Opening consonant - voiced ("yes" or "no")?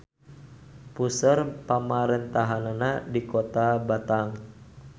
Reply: no